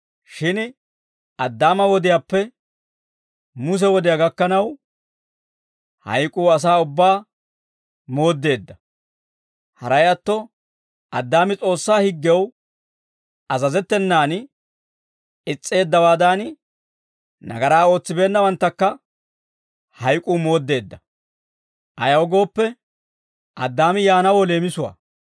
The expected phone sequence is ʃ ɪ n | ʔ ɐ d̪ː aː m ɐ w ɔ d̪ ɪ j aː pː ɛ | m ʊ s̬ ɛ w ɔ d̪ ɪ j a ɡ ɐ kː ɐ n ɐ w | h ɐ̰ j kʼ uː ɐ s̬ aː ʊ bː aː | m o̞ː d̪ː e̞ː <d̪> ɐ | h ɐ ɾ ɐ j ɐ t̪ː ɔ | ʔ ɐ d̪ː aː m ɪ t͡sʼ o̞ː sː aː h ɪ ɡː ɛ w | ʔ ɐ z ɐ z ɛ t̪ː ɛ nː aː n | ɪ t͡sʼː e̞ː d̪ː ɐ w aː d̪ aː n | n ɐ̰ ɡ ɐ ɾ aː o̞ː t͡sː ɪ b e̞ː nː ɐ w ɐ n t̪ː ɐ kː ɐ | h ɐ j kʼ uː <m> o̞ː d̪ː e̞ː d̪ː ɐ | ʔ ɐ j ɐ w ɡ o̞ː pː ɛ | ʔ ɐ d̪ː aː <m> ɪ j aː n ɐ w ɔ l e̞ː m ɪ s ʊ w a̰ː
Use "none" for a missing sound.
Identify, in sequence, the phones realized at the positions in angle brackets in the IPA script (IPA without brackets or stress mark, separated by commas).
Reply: d̪ː, m, m